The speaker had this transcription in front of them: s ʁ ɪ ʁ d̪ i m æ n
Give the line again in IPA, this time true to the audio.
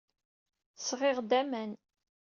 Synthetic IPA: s ʁ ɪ ʁ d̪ æ m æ n